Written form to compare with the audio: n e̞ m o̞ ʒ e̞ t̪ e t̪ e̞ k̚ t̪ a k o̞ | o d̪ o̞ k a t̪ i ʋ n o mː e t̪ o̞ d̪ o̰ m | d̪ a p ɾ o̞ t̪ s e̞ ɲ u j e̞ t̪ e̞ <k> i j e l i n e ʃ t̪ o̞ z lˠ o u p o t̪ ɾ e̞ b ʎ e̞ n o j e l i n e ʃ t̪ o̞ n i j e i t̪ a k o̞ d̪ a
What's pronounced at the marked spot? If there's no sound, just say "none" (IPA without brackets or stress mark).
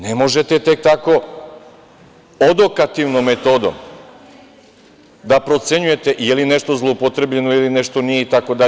ʔ